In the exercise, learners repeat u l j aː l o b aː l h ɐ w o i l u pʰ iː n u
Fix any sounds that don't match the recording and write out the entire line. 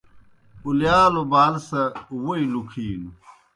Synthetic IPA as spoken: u l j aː l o b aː l s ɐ w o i l u kʰ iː n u